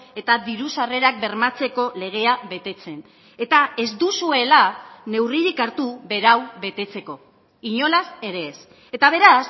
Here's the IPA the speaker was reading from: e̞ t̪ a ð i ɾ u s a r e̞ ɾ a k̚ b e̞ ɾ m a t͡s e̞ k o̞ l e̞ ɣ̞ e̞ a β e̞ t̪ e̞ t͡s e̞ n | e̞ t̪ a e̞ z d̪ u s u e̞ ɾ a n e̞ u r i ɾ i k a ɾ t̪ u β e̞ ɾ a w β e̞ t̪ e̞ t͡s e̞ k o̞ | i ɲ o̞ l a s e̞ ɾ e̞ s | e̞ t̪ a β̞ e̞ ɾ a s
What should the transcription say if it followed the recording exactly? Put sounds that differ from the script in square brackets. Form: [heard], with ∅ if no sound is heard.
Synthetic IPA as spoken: e̞ t̪ a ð i ɾ u s a r e̞ ɾ a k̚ b e̞ ɾ m a t͡s e̞ k o̞ l e̞ ɣ̞ e̞ a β e̞ t̪ e̞ t͡s e̞ n | e̞ t̪ a e̞ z d̪ u s u e̞ [l] a n e̞ [w] r i ɾ i k a ɾ t̪ u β e̞ ɾ a w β e̞ t̪ e̞ t͡s e̞ k o̞ | i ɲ o̞ l a s e̞ ɾ e̞ s | e̞ t̪ a β̞ e̞ ɾ a s